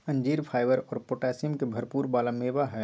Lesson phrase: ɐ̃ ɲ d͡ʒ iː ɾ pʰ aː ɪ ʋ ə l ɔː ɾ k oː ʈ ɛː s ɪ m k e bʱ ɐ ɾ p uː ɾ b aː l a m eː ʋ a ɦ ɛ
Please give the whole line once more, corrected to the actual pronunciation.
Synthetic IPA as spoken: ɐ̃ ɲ d͡ʒ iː ɾ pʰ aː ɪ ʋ ə ɾ ɔː ɾ p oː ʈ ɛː s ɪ m k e bʱ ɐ ɾ p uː ɾ b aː l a m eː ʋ a ɦ ɛ